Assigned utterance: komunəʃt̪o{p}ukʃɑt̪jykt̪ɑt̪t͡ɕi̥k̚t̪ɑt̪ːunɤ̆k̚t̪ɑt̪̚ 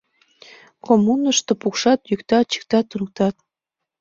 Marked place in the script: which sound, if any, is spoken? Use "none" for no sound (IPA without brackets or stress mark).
p